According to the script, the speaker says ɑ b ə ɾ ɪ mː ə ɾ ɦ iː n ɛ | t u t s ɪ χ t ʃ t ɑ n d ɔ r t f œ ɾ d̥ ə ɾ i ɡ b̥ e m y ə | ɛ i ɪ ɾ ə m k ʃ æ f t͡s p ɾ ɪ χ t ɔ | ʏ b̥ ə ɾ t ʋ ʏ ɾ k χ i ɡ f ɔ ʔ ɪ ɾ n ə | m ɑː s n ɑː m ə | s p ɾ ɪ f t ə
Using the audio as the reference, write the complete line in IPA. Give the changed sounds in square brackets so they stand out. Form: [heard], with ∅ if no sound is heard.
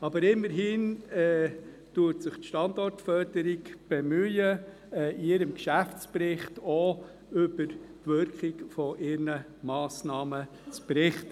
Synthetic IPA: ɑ b ə ɾ ɪ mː ə ɾ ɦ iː n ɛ | t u t s ɪ χ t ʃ t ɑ n d ɔ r t f œ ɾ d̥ ə ɾ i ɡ b̥ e m y ə | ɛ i ɪ ɾ ə m k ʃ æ f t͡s p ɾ ɪ χ t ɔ | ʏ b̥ ə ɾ t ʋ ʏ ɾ k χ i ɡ f ɔ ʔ ɪ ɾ n ə | m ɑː s n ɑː m ə | [t͡s] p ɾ ɪ [χ] t ə